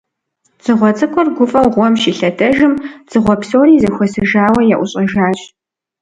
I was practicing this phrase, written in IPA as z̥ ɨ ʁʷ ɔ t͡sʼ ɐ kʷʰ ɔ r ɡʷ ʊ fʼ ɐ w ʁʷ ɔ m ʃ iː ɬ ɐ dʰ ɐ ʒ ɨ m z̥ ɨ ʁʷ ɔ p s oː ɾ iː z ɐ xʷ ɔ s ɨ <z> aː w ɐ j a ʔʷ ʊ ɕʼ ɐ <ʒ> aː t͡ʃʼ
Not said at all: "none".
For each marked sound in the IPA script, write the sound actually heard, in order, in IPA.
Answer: ʒ, ʒ

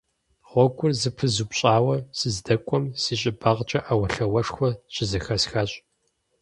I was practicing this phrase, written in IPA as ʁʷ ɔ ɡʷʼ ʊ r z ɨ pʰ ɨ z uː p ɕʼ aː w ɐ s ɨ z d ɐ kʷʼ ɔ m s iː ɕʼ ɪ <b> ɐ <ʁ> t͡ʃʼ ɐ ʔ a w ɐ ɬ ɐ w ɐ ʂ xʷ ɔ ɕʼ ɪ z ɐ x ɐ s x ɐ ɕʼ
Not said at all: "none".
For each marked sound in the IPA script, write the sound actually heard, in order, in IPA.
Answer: b, ʁ

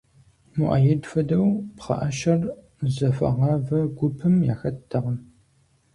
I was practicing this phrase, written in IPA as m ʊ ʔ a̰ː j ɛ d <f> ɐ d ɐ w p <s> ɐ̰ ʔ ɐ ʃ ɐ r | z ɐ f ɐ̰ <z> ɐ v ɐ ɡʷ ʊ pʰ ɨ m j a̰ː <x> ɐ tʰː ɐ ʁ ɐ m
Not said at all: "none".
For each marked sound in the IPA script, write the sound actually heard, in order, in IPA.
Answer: f, χ, ʁ, x

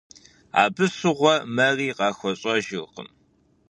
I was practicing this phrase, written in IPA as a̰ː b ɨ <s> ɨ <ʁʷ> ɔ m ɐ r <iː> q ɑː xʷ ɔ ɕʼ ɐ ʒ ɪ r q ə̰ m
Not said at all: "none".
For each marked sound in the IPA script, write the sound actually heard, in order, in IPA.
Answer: s, ʁʷ, iː

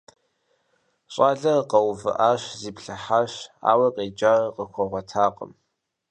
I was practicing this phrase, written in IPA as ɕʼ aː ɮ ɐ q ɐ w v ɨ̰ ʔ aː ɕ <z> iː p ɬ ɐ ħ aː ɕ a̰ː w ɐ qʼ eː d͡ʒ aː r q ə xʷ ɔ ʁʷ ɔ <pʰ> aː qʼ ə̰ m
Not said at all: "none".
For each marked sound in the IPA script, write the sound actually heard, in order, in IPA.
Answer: z, tʰ

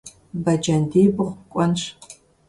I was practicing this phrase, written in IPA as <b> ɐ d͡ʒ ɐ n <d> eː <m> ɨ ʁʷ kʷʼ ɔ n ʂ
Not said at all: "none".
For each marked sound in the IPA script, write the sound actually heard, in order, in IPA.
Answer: b, d, b

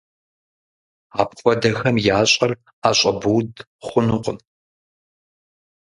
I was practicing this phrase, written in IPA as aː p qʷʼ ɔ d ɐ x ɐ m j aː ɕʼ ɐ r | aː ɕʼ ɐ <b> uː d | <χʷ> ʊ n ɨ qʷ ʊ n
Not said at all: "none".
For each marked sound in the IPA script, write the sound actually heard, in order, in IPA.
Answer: b, χʷ

